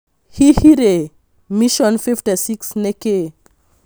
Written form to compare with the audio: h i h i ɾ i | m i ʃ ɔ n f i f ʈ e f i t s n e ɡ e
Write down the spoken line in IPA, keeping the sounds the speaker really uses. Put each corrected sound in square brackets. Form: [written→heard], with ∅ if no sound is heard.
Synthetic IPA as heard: h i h i ɾ [i→e] | m i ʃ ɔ n f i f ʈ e [f→s] i [t→k] s n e [ɡ→k] e